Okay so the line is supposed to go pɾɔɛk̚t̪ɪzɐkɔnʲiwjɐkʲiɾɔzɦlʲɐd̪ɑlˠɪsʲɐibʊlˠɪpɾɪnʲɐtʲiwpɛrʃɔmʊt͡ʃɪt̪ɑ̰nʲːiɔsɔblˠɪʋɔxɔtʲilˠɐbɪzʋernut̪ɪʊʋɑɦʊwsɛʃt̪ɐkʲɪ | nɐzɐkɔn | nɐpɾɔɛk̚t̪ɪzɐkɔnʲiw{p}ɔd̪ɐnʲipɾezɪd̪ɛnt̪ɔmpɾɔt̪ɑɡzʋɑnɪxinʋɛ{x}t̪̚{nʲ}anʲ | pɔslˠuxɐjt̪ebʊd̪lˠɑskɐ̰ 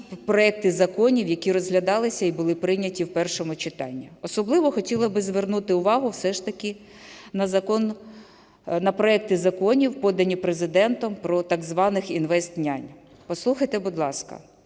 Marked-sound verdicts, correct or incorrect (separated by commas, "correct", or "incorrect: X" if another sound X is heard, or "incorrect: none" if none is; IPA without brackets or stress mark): correct, incorrect: s, correct